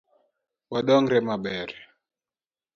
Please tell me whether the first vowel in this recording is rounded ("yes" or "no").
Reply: no